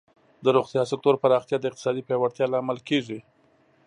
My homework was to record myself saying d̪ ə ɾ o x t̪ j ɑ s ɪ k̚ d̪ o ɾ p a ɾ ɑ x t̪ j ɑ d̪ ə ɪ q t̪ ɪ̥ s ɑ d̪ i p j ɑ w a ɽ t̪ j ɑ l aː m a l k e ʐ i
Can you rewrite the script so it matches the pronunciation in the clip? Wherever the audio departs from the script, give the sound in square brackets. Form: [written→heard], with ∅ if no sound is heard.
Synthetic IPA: d̪ ə ɾ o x t̪ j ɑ s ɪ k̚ [d̪→t̪] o ɾ p a ɾ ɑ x t̪ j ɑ d̪ ə ɪ q t̪ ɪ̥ s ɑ d̪ i p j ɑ w a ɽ t̪ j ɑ l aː m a l k e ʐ i